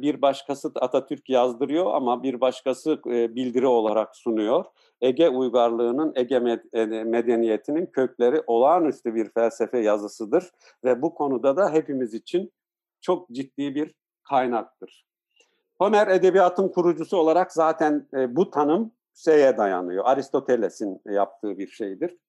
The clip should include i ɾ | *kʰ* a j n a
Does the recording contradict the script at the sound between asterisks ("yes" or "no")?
no